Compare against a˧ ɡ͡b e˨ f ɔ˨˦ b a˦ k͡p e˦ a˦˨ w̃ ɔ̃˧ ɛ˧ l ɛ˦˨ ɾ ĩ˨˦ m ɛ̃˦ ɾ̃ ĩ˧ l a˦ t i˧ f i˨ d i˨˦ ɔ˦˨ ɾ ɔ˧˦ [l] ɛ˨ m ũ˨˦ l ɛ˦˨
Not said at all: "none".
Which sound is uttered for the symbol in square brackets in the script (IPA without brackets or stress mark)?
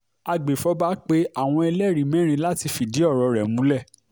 ɾ